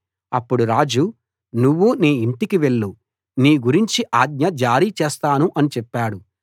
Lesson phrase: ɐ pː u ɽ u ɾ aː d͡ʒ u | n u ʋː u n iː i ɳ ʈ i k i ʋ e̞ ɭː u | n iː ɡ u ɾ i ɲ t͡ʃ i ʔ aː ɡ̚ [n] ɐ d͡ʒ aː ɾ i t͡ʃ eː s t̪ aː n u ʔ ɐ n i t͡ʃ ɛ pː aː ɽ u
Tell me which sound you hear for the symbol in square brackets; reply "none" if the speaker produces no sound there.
ɲ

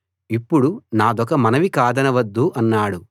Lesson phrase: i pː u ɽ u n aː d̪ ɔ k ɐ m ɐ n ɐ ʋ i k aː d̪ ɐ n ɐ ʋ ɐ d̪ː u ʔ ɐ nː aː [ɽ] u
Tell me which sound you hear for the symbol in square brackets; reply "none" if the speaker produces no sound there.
ɽ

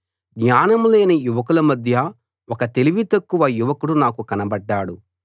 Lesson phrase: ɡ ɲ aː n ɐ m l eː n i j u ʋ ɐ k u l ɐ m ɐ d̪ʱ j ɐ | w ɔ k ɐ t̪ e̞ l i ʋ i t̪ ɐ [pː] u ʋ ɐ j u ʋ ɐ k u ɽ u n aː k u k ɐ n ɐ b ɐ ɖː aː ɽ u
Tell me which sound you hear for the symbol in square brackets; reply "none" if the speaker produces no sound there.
kː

